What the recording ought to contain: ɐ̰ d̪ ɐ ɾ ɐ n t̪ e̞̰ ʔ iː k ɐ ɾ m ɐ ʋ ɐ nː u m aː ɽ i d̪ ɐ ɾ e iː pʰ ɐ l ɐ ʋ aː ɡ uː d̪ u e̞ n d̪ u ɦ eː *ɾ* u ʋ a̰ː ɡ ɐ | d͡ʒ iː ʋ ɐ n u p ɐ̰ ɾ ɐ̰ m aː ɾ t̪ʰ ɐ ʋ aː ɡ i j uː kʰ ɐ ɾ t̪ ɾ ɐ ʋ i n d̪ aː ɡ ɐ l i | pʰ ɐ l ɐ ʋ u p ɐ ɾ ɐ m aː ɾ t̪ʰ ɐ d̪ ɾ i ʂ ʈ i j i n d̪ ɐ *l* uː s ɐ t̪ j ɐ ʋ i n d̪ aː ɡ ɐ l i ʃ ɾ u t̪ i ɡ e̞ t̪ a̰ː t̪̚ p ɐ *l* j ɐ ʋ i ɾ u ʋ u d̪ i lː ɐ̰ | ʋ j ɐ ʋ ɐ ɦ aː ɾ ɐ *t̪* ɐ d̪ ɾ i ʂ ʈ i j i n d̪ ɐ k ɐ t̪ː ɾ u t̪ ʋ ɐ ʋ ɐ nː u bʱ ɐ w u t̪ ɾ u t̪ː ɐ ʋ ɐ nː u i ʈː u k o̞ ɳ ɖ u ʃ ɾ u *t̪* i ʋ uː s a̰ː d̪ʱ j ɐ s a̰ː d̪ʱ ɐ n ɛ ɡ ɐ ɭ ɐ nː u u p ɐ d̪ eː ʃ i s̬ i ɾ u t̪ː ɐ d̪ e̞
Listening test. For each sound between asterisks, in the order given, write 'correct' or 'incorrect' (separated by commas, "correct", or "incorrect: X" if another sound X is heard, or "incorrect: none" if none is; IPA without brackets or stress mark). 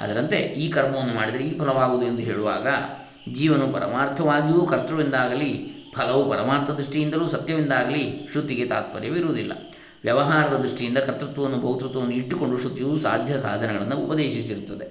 incorrect: ɭ, correct, incorrect: ɾ, incorrect: d̪, correct